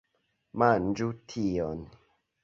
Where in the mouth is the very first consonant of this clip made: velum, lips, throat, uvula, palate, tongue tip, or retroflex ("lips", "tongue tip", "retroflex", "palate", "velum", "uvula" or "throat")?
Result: lips